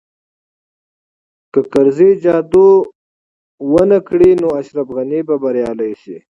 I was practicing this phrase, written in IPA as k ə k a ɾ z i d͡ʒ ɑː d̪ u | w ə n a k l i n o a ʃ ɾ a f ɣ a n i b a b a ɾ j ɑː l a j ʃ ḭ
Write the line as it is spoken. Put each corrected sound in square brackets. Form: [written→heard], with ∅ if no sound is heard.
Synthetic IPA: k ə k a ɾ z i d͡ʒ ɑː d̪ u | w ə n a k [l→ɽ] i n o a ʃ ɾ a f ɣ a n i b a b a ɾ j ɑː l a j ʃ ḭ